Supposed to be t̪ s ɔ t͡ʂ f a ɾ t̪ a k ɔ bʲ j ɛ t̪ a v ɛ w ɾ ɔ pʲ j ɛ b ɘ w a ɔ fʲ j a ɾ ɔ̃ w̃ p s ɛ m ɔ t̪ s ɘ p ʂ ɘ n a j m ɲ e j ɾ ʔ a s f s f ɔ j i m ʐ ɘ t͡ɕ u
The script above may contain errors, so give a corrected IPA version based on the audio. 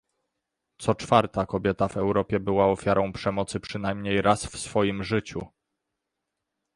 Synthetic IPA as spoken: t̪ s ɔ t͡ʂ f a ɾ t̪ a k ɔ bʲ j ɛ t̪ a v ɛ w ɾ ɔ pʲ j ɛ b ɘ w a ɔ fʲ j a ɾ ɔ̃ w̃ p ʂ ɛ m ɔ t̪ s ɘ p ʂ ɘ n a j m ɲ e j ɾ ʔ a s f s f ɔ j i m ʐ ɘ t͡ɕ u